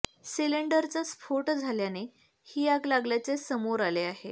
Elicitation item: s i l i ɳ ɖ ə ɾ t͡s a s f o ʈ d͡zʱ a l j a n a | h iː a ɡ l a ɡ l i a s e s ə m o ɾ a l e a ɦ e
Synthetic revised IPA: s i l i ɳ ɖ ə ɾ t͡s a s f o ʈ d͡zʱ a l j a n e | h iː a ɡ l a ɡ l j a t͡s e s ə m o ɾ a l e a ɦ e